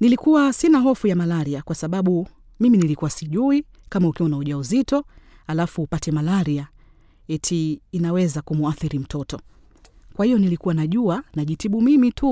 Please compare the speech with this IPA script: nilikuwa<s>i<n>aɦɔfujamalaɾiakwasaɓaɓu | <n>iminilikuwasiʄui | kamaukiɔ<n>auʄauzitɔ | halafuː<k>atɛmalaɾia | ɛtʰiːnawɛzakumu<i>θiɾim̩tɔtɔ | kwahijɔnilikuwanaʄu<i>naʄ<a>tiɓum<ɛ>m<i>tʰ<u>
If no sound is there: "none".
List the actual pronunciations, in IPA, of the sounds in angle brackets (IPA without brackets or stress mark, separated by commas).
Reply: s, n, m, n, p, a, a, i, i, i, u